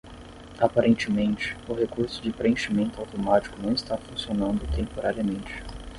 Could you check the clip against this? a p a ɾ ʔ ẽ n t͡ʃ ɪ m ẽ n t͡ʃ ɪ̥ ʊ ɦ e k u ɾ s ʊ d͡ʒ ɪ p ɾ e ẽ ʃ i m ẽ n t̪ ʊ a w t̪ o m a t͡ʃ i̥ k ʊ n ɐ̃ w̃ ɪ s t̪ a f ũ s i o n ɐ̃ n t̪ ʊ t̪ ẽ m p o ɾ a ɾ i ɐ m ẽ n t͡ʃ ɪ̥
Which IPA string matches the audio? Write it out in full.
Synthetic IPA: a p a ɾ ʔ ẽ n t͡ʃ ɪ m ẽ n t͡ʃ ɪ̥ ʊ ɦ e k u ɾ s ʊ d͡ʒ ɪ p ɾ e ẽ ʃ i m ẽ n t̪ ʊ a w t̪ o m a t͡ʃ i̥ k ʊ n ɐ̃ w̃ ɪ s t̪ a f ũ s i o n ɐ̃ n d̪ ʊ t̪ ẽ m p o ɾ a ɾ i ɐ m ẽ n t͡ʃ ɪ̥